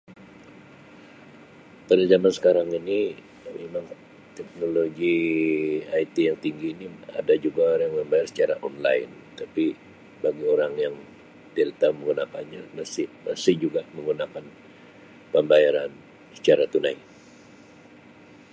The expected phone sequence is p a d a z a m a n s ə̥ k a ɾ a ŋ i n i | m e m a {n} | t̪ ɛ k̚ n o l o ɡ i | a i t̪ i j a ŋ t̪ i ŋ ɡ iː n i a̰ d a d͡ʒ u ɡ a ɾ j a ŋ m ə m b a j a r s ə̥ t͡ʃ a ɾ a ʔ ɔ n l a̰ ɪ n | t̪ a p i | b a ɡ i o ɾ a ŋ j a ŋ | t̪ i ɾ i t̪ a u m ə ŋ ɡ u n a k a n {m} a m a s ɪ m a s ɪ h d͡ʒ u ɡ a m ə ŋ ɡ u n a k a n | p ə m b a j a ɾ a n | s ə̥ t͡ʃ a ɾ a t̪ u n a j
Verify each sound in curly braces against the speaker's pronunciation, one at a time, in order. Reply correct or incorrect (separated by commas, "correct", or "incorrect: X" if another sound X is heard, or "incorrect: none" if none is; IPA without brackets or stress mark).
incorrect: ŋ, incorrect: ɲ